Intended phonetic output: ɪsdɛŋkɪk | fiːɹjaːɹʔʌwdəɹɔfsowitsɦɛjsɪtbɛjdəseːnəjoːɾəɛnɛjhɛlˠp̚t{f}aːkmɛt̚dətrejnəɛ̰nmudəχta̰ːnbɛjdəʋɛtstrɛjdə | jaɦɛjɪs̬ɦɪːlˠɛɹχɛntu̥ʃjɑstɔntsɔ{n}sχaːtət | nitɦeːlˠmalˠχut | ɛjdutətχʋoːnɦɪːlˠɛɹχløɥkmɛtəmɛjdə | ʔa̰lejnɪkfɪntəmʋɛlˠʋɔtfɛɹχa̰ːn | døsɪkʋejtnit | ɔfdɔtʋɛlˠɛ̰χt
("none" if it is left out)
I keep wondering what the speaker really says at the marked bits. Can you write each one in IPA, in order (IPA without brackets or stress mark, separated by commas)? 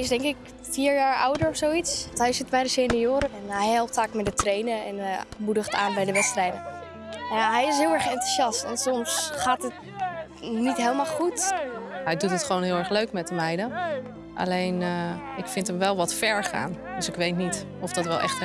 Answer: f, m